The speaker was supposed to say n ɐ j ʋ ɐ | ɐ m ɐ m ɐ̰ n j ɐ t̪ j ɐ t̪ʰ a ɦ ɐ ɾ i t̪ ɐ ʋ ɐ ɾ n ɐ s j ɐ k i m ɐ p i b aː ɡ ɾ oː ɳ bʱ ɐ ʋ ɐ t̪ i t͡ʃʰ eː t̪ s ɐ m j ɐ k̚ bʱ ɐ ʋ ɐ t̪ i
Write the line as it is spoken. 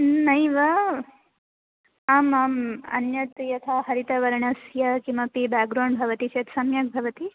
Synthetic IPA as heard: n ɐ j ʋ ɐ | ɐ m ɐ m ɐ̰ n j ɐ t̪ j ɐ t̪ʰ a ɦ ɐ ɾ i t̪ ɐ ʋ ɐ ɾ ɳ ɐ s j ɐ k i m ɐ p i b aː ɡ ɾ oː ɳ bʱ ɐ ʋ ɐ t̪ i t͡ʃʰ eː t̪ s ɐ m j ɐ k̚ bʱ ɐ ʋ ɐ t̪ i